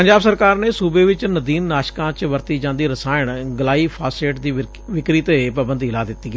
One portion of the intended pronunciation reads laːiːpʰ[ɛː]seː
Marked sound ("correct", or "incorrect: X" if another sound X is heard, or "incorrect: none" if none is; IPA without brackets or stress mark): incorrect: aː